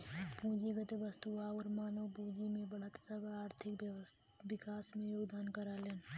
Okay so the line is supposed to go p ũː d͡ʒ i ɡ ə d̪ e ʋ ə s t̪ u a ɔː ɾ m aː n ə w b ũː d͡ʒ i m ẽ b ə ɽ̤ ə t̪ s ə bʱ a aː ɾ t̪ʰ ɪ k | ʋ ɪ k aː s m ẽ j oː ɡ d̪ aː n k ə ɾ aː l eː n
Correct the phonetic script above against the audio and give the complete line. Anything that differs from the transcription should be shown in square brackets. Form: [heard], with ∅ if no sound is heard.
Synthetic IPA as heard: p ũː d͡ʒ i ɡ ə [t̪] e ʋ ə s t̪ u a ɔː ɾ m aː n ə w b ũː d͡ʒ i m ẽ b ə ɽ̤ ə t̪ s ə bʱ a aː ɾ t̪ʰ ɪ k | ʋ ɪ k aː s m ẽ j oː ɡ d̪ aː n k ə ɾ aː l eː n